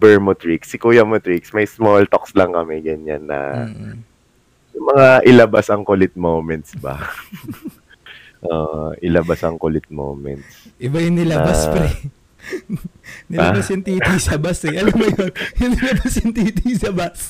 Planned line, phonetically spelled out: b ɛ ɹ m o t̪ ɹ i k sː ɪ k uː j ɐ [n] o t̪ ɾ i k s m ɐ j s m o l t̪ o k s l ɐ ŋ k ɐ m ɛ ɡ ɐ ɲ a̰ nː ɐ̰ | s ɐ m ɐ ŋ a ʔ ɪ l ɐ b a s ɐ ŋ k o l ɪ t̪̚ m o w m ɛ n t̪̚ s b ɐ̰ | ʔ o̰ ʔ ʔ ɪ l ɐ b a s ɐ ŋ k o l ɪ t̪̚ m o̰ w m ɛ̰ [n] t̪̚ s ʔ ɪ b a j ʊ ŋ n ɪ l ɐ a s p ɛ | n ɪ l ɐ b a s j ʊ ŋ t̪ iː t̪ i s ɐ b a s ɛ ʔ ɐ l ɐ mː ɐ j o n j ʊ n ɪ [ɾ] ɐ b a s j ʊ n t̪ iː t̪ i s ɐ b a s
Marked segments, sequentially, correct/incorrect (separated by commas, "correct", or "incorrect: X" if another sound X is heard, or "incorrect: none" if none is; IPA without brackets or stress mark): incorrect: m, correct, incorrect: l